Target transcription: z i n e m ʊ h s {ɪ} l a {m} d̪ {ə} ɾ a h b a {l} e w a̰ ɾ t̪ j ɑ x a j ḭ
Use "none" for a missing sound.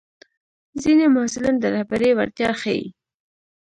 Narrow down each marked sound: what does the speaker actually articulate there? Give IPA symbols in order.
ɪ, n, ə, ɾ

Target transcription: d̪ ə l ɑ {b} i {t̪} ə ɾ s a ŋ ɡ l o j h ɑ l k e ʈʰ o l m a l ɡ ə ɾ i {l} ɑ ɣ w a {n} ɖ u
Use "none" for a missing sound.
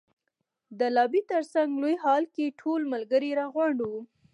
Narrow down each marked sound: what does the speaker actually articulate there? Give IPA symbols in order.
b, t̪, ɾ, ɳ

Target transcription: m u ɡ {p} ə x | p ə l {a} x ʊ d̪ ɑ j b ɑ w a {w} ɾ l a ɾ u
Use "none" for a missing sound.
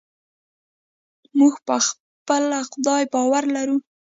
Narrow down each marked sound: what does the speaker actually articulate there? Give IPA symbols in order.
p, a, none

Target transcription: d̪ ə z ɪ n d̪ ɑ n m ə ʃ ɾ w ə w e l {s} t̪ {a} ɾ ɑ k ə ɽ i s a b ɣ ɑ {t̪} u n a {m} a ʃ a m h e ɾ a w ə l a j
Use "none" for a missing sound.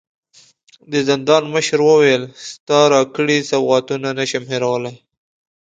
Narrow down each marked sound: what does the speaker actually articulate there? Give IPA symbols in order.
s, ɑ, t̪, n

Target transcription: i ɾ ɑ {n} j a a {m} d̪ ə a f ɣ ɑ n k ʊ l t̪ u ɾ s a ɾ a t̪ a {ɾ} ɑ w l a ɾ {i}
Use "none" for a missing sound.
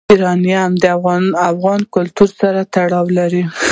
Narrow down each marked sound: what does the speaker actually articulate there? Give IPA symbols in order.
n, m, ɽ, i

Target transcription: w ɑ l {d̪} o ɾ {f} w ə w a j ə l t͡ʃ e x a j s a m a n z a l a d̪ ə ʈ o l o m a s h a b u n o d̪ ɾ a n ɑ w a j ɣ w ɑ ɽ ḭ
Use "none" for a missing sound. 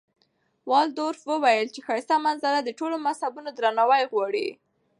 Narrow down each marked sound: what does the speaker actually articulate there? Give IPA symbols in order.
d̪, f

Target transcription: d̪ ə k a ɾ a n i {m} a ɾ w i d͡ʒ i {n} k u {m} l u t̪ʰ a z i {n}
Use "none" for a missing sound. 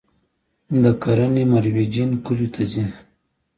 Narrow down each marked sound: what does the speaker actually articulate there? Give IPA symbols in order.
m, n, none, n

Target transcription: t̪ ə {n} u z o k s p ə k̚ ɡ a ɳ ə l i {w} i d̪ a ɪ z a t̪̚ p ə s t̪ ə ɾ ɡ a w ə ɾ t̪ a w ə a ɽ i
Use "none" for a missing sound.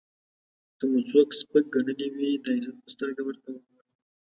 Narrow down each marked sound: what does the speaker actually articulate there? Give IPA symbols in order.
m, w

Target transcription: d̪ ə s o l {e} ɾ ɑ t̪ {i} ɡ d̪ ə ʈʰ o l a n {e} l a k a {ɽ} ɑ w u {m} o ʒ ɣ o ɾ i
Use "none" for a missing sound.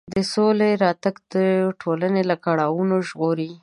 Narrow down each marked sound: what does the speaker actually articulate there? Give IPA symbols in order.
e, a, e, ɽ, n

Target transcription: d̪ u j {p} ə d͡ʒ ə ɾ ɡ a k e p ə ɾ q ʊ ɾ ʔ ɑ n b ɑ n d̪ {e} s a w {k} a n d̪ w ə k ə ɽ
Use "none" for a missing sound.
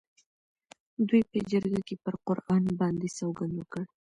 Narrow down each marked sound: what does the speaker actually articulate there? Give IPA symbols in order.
p, e, ɡ

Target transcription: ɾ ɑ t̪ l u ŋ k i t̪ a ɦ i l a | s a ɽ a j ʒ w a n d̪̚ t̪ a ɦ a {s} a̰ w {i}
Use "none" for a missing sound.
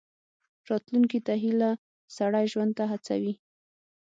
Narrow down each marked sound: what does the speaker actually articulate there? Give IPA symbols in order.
t͡s, i

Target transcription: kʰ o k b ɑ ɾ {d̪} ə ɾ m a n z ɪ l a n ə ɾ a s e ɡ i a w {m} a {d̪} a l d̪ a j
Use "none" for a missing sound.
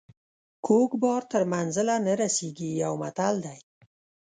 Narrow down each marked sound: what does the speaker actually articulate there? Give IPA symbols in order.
t̪, m, t̪

